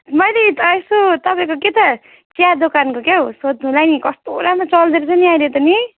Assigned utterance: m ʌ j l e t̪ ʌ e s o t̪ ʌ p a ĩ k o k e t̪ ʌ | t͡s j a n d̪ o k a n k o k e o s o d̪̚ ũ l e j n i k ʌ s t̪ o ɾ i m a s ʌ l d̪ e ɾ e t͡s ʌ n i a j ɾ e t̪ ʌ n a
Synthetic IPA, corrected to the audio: m ʌ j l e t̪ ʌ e s o t̪ ʌ p a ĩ k o k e t̪ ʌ | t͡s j a d̪ o k a n k o k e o s o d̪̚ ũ l a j n i k ʌ s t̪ o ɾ a m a t͡s ʌ l d̪ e ɾ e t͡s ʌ n i a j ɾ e t̪ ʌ n i

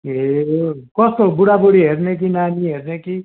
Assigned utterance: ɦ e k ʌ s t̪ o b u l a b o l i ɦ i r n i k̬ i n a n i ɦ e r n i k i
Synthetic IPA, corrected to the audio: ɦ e k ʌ s t̪ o b u ɽ a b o ɽ i ɦ e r n e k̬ i n a n i ɦ e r n e k i

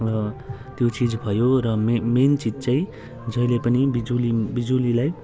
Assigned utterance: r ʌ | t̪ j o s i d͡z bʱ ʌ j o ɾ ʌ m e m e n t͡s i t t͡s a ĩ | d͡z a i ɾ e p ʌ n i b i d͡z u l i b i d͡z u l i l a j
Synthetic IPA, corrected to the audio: r ʌ | t̪ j o t͡s i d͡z bʱ ʌ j o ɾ ʌ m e m e n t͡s i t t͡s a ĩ | d͡z ʌ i l e p ʌ n i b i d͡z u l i b i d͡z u l i l a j

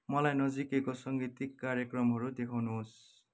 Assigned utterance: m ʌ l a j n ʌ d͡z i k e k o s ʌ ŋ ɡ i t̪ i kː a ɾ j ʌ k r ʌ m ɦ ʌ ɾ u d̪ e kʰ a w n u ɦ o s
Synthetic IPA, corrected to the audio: m ʌ l a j n ʌ d͡z i k e k o s ʌ ŋ ɡ i t̪ i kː a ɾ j ʌ k r ʌ m ɦ ʌ ɾ u d̪ e kʰ a w n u ɦ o s

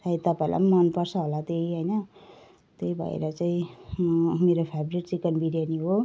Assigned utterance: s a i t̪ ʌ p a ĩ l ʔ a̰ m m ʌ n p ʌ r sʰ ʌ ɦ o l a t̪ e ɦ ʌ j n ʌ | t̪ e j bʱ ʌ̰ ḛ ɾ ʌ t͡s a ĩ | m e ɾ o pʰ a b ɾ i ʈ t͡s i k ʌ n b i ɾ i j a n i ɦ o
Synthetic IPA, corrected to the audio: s a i t̪ ʌ p a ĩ l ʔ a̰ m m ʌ n p ʌ r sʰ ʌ ɦ o l a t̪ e ɦ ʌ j n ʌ | t̪ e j bʱ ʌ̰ ḛ ɾ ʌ t͡s a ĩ | m e ɾ o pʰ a b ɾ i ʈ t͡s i k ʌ n b i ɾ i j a n i ɦ o

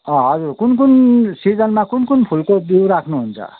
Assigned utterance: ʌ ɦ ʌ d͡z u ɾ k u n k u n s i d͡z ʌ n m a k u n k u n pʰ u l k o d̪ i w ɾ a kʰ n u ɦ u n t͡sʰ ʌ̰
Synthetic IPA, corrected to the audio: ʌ ɦ ʌ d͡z u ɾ k u n k u n s i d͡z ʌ n m a k u n k u n pʰ u l k o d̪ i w ɾ a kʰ n u ɦ u n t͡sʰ ʌ̰

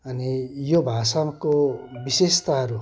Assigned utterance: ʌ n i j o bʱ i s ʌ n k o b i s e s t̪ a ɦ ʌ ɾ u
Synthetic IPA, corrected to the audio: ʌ n i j o bʱ a s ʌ m k o b i s e s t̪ a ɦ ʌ ɾ u

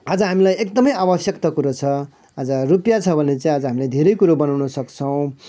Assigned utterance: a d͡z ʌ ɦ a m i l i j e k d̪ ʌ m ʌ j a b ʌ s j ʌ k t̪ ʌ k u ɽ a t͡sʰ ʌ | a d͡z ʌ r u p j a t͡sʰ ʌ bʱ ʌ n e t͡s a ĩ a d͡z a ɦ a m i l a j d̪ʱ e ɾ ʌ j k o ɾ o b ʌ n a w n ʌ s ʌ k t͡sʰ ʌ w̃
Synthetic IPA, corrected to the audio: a d͡z ʌ ɦ a m i l a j e k d̪ ʌ m ʌ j a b ʌ s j ʌ k t̪ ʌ k u ɾ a t͡sʰ ʌ | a d͡z ʌ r u p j a t͡sʰ ʌ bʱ ʌ n e t͡s a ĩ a d͡z ʌ ɦ a m i l a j d̪ʱ e ɾ ʌ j k u ɾ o b ʌ n a w n ʌ s ʌ k t͡sʰ ʌ w̃

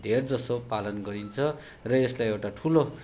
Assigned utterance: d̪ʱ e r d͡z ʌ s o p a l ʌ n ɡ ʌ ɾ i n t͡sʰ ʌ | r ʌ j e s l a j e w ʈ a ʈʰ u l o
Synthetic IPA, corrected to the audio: d̪ʱ e r d͡z ʌ s o p a l ʌ n ɡ ʌ ɾ i n t͡sʰ ʌ | r ʌ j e s l a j e w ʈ a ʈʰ u l o

